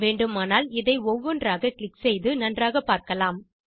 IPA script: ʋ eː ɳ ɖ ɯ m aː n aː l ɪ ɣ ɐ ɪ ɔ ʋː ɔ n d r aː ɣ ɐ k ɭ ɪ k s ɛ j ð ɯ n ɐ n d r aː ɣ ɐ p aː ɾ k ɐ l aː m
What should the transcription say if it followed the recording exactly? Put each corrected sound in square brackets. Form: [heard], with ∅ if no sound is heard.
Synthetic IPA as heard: ʋ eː ɳ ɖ ɯ m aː n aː l ɪ [ð] ɐ ɪ ɔ ʋː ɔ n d r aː ɣ ɐ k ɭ ɪ k s ɛ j ð ɯ n ɐ n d r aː ɣ ɐ p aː ɾ k ɐ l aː m